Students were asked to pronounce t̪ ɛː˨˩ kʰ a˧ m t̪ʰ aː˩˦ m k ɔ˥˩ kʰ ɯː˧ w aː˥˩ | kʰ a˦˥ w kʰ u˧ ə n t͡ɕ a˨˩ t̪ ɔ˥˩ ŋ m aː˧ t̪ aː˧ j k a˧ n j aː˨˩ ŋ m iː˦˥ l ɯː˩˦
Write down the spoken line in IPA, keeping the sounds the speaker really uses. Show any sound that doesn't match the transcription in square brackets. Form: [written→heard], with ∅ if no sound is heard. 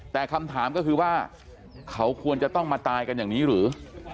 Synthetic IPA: t̪ ɛː˨˩ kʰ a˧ m t̪ʰ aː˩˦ m k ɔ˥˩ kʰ ɯː˧ w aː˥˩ | kʰ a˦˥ w kʰ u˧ ə n t͡ɕ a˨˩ t̪ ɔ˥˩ ŋ m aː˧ t̪ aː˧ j k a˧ n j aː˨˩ ŋ [m→n] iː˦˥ [l→ɾ] ɯː˩˦